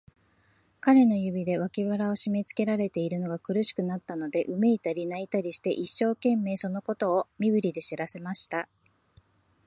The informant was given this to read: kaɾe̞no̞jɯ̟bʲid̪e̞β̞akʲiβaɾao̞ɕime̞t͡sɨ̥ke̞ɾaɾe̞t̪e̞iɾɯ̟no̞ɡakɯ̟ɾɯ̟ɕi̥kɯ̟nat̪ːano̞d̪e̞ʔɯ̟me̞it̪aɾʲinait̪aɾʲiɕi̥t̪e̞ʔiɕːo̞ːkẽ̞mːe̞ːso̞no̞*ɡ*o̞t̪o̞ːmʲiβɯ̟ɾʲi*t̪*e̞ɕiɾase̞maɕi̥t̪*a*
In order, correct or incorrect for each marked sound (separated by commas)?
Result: incorrect, incorrect, correct